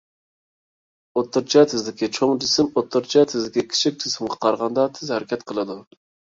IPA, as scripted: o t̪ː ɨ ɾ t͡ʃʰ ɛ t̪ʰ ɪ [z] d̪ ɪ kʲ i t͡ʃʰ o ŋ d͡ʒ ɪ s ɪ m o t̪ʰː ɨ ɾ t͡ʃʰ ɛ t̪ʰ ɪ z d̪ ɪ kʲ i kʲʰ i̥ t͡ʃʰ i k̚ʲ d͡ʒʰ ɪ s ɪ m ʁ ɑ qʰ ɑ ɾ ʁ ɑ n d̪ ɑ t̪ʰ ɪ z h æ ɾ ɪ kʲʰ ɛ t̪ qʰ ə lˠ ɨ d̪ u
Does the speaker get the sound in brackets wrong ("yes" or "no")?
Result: no